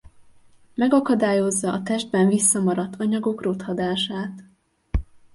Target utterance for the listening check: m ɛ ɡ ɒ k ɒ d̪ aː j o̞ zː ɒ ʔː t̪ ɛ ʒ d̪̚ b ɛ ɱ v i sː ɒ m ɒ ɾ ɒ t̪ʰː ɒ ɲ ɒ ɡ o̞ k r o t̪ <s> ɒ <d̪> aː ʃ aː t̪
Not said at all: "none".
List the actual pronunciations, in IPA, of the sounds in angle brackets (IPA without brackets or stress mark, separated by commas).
h, d̪